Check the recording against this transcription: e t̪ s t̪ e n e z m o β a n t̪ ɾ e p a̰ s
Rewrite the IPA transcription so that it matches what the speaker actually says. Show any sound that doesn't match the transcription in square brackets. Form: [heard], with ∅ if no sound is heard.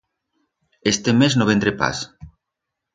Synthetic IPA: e [∅] s t̪ e [m] e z [n] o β [e] n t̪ ɾ e p a̰ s